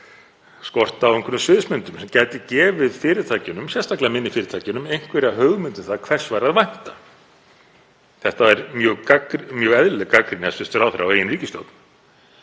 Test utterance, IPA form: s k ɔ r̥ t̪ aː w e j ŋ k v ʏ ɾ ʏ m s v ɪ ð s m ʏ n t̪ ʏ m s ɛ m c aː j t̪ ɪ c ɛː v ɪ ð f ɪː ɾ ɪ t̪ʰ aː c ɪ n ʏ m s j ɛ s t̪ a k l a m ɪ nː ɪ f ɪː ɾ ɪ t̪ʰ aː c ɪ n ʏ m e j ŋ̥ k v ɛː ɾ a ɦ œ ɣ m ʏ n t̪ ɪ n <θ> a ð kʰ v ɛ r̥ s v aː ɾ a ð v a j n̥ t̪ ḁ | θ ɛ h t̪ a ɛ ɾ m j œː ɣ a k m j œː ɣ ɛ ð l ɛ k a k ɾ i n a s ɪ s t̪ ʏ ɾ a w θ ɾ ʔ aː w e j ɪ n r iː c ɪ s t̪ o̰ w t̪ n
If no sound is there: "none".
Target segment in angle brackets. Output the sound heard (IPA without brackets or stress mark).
θ